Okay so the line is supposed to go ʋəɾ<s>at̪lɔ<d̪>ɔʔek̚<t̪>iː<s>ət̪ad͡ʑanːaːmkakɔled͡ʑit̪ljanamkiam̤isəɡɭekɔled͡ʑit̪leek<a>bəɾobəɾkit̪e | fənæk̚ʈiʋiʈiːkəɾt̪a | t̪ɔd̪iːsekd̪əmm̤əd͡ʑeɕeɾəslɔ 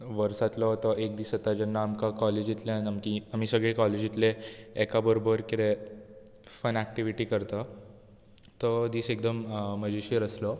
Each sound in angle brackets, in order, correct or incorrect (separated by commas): correct, incorrect, incorrect, correct, correct